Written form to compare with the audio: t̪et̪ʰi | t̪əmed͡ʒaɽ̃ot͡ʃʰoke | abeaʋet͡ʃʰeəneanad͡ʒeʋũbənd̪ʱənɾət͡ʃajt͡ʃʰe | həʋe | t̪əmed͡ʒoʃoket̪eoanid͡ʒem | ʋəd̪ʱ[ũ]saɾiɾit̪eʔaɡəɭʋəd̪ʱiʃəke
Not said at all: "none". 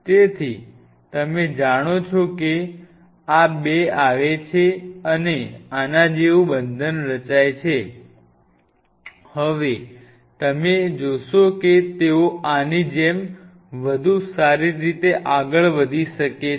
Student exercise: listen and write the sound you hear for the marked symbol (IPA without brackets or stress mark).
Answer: u